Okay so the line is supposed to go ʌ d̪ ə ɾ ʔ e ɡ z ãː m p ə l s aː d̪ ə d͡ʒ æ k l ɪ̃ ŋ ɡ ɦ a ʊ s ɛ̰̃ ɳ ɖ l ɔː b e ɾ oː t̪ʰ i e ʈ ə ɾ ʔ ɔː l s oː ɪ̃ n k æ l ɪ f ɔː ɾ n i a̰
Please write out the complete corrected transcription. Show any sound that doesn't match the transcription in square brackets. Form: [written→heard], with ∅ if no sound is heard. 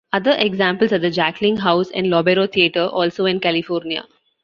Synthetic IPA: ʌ d̪ ə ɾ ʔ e ɡ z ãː m p ə l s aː d̪ ə d͡ʒ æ k l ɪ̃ ŋ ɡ ɦ a ʊ s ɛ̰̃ ɳ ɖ l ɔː b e ɾ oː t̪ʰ i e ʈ ə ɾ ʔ ɔː l s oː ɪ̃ n k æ l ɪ f ɔː ɾ n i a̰